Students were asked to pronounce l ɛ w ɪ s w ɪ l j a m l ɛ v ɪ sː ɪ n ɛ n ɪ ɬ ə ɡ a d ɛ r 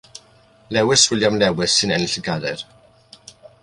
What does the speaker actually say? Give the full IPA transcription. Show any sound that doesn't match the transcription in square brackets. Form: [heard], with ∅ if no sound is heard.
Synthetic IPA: l ɛ w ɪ s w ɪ l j a m l ɛ [w] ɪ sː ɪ n ɛ n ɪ ɬ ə ɡ a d ɛ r